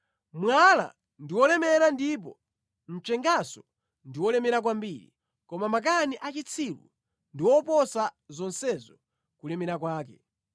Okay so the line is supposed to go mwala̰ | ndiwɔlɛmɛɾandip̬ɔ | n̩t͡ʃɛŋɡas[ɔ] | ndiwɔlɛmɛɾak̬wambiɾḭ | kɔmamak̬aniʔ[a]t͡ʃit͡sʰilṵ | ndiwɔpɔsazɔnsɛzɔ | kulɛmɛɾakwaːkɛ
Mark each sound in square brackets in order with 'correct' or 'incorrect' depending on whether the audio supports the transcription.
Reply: correct, correct

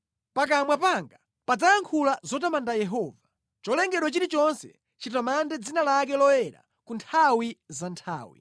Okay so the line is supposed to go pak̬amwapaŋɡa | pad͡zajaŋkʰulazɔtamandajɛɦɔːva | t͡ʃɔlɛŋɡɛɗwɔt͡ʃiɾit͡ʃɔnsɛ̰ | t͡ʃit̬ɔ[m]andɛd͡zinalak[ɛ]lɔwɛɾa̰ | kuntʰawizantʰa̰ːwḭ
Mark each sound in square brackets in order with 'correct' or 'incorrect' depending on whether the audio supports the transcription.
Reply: correct, correct

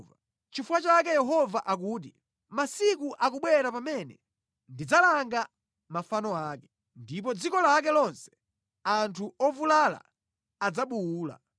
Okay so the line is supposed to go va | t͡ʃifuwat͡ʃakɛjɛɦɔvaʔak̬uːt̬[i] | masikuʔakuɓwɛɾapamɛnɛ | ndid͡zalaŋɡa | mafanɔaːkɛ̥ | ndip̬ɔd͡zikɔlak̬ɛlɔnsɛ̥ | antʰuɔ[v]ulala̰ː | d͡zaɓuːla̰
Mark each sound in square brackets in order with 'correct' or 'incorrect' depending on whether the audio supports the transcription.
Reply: correct, correct

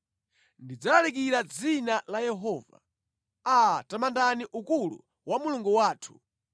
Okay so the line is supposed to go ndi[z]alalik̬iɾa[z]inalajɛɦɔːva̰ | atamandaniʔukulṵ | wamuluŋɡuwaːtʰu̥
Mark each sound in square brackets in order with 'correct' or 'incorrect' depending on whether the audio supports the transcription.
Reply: incorrect: d͡z, incorrect: d͡z

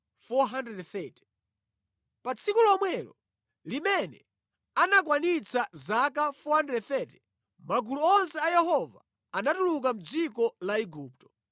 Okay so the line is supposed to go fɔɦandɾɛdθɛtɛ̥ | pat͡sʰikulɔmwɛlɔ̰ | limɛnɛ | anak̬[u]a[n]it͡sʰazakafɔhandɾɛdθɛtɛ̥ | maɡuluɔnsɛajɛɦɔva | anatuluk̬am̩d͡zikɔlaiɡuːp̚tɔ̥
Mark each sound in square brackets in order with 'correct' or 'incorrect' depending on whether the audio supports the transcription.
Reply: incorrect: w, correct

